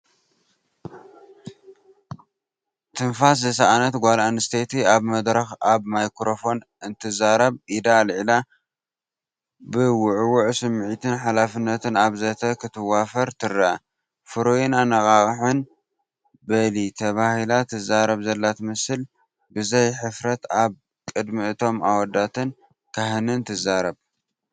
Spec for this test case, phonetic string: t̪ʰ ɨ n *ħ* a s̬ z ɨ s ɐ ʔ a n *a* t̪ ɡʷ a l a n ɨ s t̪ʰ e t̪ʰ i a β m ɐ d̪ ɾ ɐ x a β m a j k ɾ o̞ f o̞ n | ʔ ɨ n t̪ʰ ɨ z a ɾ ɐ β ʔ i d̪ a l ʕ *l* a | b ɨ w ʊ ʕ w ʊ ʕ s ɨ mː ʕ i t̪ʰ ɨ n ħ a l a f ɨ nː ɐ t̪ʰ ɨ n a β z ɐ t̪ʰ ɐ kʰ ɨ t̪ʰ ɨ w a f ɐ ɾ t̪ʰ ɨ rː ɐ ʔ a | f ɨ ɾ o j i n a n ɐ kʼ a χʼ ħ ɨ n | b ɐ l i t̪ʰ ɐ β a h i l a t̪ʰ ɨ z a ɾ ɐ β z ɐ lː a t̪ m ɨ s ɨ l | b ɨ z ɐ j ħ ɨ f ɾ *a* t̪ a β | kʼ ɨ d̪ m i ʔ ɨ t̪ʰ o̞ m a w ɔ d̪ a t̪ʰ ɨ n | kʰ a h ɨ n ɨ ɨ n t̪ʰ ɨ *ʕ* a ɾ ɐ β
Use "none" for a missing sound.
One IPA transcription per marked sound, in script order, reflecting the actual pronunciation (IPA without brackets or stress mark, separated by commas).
f, ɐ, l, ɐ, z